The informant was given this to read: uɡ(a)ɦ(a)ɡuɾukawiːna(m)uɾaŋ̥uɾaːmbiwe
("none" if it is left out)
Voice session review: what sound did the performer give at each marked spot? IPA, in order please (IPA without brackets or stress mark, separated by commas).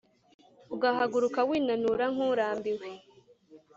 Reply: a, a, n